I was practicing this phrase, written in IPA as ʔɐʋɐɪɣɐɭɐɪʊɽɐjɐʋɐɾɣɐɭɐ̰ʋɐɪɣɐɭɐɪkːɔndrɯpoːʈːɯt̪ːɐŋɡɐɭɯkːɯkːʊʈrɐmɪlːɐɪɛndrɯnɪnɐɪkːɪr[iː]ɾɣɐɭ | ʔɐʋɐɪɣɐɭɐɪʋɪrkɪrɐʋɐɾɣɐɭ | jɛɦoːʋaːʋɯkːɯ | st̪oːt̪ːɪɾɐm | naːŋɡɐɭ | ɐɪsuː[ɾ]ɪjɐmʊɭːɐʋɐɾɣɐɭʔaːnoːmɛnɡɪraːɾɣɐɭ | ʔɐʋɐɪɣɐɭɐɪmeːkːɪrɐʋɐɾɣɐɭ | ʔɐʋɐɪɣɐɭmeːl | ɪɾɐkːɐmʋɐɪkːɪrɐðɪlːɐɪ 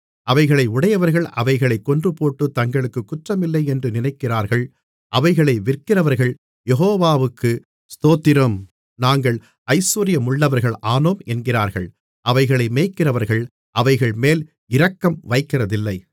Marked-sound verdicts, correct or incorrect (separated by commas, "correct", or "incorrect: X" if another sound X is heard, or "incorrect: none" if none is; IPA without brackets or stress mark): incorrect: aː, correct